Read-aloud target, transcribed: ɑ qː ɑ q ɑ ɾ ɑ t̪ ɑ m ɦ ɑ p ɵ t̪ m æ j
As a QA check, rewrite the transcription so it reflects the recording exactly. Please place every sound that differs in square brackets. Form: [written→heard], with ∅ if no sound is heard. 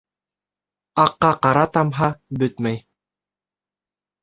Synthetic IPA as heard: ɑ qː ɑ q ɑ ɾ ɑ t̪ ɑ m ɦ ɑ [p→b] ɵ t̪ m æ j